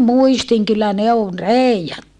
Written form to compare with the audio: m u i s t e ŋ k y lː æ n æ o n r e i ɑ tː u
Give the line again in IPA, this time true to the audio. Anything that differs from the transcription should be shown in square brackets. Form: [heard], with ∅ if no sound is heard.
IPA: m u i s t [i] ŋ k y lː æ n [e] o n r e i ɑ tː u